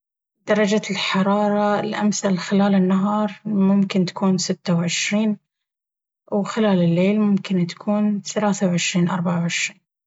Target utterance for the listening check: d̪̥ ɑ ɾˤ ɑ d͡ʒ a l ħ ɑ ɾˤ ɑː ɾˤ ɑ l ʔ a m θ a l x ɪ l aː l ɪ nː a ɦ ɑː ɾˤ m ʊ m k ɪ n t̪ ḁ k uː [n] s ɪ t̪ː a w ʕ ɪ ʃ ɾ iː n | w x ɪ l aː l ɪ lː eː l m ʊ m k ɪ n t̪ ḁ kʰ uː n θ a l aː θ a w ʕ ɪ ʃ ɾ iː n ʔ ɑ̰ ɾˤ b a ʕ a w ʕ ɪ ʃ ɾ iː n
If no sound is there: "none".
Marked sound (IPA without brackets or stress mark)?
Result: n